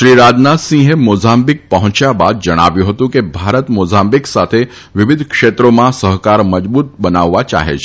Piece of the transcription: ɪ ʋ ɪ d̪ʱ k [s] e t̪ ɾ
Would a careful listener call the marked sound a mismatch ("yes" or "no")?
yes